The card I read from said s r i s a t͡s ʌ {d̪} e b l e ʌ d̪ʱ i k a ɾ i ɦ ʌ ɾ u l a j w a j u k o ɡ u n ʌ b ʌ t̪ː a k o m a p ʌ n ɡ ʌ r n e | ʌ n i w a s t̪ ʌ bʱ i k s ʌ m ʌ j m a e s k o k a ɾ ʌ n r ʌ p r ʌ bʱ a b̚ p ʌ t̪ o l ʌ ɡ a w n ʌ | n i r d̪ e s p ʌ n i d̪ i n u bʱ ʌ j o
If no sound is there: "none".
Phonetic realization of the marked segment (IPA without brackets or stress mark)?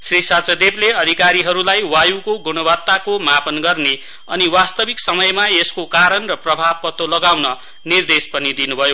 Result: d̪